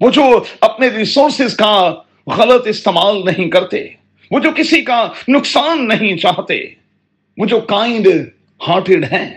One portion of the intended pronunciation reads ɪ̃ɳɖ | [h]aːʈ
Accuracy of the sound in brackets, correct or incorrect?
correct